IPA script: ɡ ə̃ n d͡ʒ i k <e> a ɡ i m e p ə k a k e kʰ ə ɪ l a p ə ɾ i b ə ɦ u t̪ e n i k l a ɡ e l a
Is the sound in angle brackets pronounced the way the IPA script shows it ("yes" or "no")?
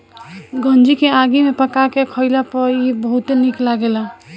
yes